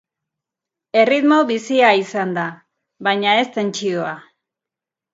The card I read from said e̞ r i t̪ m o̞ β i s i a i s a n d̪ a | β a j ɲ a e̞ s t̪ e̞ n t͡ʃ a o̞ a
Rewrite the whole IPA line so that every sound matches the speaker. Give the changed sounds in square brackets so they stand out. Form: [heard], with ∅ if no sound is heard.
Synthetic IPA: e̞ r i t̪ m o̞ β i s i a i s a n d̪ a | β a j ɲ a e̞ s t̪ e̞ n t͡ʃ [i] o̞ a